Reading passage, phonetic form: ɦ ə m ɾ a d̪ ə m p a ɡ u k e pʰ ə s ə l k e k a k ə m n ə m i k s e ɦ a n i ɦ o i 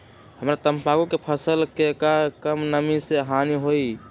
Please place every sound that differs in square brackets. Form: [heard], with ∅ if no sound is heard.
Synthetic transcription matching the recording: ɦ ə m ɾ a [t̪] ə m p a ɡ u k e pʰ ə s ə l k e k a k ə m n ə m i [∅] s e ɦ a n i ɦ o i